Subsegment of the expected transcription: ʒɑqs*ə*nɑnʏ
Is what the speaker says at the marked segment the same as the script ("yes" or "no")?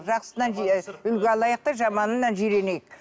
yes